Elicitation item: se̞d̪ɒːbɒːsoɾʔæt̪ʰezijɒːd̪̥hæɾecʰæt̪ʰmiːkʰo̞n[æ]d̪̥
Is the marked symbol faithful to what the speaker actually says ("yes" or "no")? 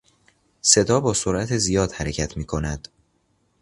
yes